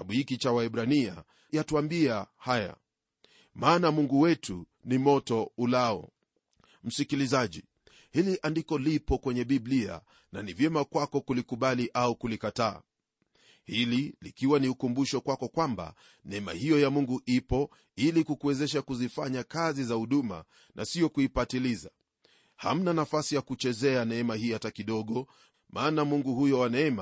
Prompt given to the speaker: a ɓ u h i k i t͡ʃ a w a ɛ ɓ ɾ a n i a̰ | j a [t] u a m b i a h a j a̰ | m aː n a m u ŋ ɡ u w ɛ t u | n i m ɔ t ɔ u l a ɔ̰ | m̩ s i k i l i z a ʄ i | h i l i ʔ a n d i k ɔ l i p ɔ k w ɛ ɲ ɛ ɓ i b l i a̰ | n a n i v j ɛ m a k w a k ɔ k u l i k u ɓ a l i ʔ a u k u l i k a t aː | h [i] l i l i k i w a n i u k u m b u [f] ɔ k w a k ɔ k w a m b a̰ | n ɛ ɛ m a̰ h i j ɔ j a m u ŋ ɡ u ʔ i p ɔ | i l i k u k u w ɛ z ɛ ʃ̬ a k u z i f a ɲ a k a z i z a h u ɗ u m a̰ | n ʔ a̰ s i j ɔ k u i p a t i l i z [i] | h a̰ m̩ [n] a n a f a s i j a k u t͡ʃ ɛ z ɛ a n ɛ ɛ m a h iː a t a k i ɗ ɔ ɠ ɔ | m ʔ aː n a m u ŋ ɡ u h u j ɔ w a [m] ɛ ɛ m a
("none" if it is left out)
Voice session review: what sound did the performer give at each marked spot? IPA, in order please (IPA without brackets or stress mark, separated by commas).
t, i, ʃ, a, n, n